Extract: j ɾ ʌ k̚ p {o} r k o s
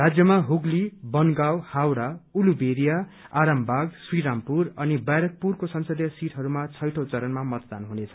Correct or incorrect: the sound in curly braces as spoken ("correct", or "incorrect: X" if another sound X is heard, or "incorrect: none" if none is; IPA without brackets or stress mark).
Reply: incorrect: u